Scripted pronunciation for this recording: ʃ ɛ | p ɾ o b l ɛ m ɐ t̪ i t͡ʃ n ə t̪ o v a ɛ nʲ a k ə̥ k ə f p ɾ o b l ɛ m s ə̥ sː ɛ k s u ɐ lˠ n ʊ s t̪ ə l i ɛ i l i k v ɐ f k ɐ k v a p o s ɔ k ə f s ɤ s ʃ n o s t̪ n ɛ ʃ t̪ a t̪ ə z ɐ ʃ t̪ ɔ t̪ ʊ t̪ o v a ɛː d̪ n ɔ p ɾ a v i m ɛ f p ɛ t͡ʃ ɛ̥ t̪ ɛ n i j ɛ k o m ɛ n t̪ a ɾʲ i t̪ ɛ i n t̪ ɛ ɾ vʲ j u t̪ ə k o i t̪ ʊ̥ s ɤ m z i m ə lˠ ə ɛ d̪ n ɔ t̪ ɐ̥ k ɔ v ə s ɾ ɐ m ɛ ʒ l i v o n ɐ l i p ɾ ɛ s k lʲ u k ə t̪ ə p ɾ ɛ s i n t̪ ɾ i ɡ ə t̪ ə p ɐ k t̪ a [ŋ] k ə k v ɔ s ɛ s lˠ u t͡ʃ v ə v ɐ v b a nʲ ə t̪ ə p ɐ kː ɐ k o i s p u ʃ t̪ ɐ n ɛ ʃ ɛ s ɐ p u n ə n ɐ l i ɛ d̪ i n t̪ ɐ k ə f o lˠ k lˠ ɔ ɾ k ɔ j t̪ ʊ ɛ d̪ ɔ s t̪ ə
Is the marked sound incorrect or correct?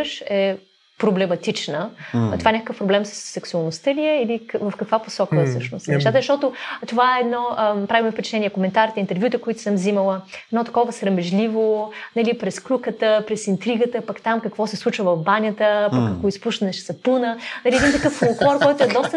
incorrect